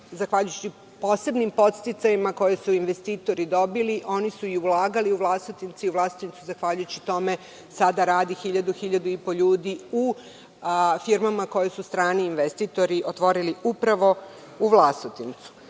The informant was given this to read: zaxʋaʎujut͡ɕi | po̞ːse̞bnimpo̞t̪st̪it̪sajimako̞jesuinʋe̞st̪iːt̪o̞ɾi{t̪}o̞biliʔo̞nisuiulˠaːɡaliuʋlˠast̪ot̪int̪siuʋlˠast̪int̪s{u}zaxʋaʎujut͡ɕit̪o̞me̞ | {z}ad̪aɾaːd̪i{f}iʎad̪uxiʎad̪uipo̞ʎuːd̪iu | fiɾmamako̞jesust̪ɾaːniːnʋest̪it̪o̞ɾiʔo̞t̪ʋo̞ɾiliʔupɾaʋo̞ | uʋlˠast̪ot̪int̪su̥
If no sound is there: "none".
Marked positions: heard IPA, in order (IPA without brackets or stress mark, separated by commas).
d̪, u, s, x